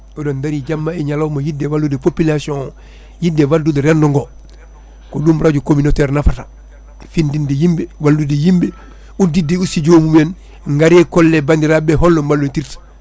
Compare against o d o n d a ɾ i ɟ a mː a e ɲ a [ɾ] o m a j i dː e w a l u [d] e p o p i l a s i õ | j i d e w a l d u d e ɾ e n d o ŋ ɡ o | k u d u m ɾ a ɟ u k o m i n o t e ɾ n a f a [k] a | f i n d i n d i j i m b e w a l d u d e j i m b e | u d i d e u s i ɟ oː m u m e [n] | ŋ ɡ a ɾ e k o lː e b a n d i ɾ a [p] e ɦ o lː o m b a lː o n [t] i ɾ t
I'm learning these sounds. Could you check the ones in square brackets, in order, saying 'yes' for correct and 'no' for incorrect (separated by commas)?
no, yes, no, yes, no, yes